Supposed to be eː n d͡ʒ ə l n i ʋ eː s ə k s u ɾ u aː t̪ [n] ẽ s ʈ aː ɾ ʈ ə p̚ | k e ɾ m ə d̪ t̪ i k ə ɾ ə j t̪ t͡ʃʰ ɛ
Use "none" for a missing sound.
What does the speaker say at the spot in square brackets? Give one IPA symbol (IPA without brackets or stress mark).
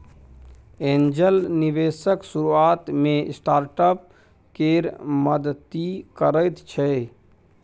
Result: m